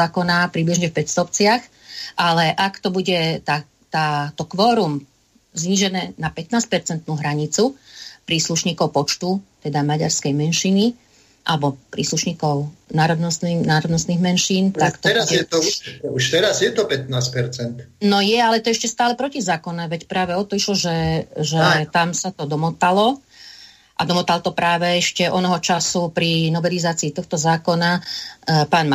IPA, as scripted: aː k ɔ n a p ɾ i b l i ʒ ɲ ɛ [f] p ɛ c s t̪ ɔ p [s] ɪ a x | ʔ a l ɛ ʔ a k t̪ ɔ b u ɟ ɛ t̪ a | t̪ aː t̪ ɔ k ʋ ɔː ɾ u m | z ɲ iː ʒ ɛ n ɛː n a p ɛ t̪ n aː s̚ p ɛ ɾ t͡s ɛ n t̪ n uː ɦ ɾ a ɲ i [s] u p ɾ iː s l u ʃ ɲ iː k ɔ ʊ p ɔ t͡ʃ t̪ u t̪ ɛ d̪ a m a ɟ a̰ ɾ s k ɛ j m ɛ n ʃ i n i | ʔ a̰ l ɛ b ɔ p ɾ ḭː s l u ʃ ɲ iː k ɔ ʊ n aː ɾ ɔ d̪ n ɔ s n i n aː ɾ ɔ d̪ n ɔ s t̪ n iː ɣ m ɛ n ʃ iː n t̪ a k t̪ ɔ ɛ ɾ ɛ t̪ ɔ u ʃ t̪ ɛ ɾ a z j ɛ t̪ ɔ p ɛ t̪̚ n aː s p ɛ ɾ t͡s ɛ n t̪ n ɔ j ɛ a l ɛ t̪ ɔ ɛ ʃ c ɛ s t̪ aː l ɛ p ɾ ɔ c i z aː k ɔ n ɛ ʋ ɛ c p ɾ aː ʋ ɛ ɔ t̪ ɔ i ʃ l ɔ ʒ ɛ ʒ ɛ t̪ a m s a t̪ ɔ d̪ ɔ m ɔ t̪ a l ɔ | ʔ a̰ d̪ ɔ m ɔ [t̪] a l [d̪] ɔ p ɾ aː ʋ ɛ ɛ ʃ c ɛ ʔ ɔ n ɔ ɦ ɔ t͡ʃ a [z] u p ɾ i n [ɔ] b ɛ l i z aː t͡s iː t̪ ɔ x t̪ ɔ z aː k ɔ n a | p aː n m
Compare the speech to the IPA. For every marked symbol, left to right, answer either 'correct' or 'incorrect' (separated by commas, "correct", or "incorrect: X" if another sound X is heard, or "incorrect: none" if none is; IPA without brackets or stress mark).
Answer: correct, incorrect: t͡s, incorrect: t͡s, correct, incorrect: t̪, incorrect: s, correct